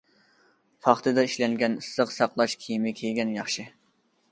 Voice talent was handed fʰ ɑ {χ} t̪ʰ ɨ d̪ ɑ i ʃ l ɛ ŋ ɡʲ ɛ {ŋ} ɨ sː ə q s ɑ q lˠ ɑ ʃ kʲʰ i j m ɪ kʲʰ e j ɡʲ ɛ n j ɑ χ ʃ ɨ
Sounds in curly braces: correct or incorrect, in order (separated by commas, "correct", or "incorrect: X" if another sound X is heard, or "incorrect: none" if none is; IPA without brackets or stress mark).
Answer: correct, incorrect: n